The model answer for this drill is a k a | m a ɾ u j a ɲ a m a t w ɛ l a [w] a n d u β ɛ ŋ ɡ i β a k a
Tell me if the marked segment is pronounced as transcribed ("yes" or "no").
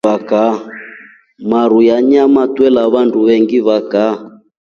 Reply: no